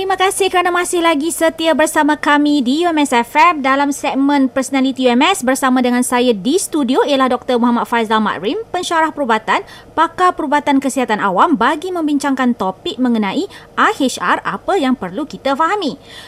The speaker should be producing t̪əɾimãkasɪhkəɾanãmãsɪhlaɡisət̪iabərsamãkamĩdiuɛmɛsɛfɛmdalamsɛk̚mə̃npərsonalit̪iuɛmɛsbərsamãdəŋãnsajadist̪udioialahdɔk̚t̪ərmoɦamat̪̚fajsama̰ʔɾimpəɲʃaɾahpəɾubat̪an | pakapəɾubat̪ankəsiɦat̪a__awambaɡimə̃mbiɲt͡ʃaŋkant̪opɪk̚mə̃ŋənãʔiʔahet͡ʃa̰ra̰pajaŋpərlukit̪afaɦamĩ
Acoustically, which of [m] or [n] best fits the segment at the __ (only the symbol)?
n